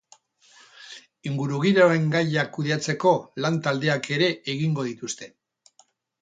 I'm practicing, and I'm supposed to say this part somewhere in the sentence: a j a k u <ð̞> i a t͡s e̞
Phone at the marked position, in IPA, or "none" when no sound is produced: ð̞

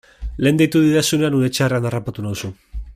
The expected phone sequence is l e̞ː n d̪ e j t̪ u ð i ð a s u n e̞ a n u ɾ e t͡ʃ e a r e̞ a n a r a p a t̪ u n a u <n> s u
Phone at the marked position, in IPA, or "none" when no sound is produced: none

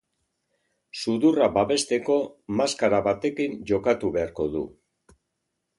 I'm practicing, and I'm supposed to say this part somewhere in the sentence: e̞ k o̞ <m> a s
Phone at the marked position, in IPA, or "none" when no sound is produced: m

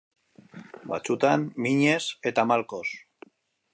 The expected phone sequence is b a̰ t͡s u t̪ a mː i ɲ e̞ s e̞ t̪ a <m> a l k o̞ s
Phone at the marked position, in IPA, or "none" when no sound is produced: m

